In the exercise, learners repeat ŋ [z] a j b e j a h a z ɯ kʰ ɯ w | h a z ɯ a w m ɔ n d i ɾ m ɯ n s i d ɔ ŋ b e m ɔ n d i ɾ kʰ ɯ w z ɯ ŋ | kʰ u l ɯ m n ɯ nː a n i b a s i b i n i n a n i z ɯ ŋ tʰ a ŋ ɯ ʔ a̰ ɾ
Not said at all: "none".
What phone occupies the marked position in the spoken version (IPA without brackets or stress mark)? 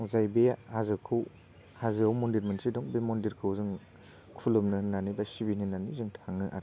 z